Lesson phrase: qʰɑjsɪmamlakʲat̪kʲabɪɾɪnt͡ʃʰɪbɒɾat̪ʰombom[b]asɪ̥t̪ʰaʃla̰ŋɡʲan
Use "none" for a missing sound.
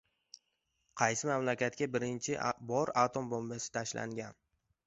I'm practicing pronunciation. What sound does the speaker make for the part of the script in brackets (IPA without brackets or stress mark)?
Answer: b